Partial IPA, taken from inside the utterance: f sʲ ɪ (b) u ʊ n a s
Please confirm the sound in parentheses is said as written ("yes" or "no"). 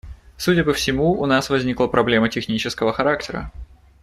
no